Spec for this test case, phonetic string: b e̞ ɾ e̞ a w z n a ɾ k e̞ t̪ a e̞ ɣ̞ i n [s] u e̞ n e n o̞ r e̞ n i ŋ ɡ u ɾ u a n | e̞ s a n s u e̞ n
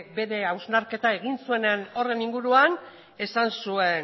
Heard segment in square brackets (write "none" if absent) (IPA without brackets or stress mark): s